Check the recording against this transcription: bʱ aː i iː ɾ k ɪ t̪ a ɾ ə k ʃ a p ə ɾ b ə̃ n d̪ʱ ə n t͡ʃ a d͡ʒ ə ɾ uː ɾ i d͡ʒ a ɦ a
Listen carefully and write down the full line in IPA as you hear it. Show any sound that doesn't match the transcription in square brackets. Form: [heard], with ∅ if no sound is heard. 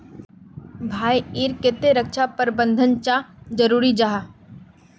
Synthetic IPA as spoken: bʱ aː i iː ɾ k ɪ t̪ [e] ɾ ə k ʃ a p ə ɾ b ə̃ n d̪ʱ ə n t͡ʃ a d͡ʒ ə ɾ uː ɾ i d͡ʒ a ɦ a